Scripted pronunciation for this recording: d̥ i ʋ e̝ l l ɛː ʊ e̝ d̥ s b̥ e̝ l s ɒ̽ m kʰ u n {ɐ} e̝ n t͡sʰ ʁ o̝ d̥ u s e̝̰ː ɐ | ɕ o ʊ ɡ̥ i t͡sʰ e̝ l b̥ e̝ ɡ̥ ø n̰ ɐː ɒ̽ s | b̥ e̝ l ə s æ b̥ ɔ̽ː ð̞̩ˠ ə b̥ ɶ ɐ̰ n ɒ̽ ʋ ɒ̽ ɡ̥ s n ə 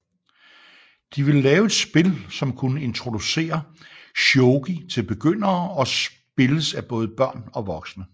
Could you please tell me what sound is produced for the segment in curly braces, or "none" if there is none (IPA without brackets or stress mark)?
ə